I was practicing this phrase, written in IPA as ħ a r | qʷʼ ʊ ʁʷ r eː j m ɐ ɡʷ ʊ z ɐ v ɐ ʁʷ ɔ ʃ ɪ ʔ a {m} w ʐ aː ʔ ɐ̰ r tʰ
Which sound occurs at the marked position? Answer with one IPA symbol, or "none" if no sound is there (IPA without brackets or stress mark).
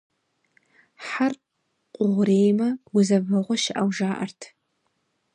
none